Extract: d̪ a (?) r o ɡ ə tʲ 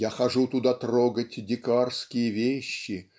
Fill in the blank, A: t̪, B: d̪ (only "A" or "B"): A